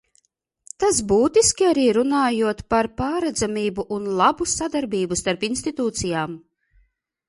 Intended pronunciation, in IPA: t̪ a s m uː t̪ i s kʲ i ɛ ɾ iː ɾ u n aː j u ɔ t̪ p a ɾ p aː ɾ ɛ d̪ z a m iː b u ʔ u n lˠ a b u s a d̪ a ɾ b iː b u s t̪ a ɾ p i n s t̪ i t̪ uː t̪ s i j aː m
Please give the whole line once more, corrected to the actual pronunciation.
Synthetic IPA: t̪ a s b uː t̪ i s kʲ i a ɾ iː ɾ u n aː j u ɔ t̪ p a ɾ p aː ɾ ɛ d̪ z a m iː b u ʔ u n lˠ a b u s a d̪ a ɾ b iː b u s t̪ a ɾ p i n s t̪ i t̪ uː t̪ s i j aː m